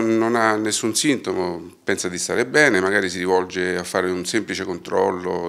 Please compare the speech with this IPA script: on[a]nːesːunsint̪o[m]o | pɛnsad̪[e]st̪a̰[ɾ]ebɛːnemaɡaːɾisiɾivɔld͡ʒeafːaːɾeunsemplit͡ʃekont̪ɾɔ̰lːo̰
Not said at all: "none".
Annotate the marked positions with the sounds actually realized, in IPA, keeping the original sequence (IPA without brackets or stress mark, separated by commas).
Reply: a, m, i, ɾ